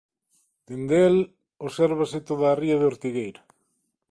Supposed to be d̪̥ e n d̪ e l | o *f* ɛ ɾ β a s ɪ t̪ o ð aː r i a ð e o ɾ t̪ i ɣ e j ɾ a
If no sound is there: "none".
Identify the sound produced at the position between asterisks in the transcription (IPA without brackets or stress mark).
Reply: s